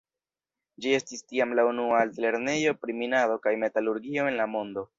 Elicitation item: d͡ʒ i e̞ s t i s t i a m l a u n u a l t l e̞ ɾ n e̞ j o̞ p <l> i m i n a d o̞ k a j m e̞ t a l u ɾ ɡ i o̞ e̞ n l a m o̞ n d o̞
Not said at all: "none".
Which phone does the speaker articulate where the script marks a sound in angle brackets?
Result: ɾ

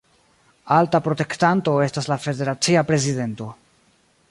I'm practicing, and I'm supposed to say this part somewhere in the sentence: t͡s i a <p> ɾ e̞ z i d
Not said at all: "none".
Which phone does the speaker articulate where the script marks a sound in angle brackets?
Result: p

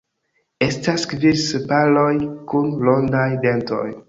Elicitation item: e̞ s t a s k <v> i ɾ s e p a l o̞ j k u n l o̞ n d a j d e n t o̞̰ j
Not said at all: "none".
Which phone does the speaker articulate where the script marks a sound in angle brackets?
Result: v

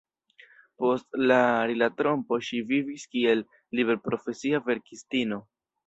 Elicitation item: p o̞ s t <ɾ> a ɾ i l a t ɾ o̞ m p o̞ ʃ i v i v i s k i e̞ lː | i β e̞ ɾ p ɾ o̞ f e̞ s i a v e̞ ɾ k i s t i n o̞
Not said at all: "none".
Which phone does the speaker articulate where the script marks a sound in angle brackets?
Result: l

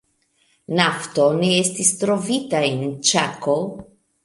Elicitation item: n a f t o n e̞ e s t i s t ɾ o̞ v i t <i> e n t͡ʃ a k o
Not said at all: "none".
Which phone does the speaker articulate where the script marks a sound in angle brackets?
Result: a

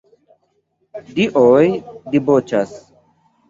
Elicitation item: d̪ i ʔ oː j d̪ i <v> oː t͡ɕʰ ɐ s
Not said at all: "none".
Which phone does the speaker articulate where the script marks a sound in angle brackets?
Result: b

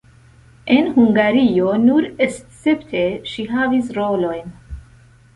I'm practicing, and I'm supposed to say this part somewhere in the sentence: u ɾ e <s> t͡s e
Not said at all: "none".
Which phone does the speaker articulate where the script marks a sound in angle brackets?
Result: s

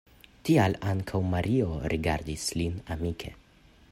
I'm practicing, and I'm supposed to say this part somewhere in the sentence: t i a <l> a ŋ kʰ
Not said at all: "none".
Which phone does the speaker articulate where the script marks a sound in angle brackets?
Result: l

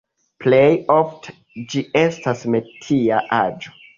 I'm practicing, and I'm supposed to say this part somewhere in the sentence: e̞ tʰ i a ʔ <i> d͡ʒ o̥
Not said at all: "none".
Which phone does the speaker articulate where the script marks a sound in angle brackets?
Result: a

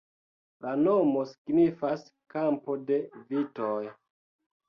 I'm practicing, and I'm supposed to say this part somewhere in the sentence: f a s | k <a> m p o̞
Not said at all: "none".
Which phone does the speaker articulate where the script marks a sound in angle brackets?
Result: a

